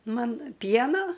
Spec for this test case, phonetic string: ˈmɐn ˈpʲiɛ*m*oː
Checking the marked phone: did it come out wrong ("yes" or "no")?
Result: yes